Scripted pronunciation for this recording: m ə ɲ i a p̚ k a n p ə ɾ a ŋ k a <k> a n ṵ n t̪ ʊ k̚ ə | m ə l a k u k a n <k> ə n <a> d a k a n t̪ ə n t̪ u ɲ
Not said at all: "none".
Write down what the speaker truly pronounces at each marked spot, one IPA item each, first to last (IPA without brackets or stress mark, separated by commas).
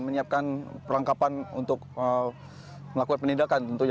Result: p, p, i